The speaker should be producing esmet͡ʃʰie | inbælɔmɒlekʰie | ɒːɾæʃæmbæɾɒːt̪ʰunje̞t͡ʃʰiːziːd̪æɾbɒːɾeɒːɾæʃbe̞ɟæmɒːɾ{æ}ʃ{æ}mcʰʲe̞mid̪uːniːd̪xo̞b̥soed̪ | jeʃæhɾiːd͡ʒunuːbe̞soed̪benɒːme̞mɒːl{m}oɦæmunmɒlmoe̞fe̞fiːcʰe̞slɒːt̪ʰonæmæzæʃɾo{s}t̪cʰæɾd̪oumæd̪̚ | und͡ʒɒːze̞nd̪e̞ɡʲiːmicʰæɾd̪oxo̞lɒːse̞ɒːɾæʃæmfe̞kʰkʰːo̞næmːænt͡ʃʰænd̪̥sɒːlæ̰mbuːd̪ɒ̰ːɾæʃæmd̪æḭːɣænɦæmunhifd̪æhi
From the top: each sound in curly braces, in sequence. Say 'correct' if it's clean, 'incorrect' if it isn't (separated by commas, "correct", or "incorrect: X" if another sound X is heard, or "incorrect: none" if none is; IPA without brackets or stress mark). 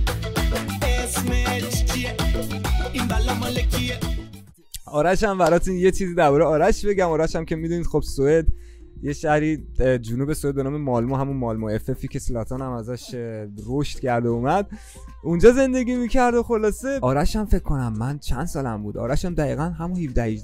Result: correct, correct, correct, incorrect: ʃ